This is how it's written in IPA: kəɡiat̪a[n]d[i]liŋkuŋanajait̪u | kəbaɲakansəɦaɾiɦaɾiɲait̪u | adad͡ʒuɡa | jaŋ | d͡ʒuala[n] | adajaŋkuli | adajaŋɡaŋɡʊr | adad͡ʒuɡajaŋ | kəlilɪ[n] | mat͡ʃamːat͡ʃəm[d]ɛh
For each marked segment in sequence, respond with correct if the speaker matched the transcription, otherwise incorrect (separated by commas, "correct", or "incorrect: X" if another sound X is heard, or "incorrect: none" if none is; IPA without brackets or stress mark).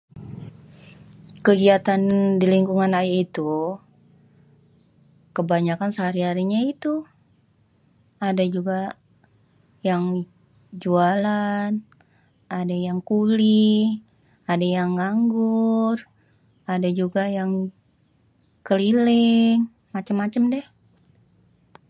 correct, correct, correct, incorrect: ŋ, correct